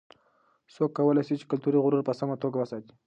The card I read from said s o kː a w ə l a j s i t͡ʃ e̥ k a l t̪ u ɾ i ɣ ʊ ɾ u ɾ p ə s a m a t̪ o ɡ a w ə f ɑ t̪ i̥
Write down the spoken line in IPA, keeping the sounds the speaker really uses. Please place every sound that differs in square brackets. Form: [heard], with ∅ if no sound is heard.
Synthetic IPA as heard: s o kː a w ə l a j s i t͡ʃ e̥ k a l t̪ u ɾ i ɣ ʊ ɾ u ɾ p ə s a m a t̪ o ɡ a w ə [s] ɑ t̪ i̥